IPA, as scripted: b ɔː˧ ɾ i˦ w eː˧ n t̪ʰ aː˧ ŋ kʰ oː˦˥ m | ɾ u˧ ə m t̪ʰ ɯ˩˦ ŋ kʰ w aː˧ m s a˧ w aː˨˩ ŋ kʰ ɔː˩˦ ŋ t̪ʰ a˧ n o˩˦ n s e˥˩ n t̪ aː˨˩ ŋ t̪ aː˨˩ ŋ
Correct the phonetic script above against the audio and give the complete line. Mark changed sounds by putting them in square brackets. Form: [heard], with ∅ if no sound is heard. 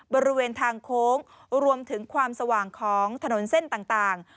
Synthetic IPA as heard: b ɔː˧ ɾ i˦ w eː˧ n t̪ʰ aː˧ ŋ kʰ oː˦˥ [ŋ] | ɾ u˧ ə m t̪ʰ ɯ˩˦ ŋ kʰ w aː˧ m s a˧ w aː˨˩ ŋ kʰ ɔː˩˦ ŋ t̪ʰ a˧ n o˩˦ n s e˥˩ n t̪ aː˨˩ ŋ t̪ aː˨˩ ŋ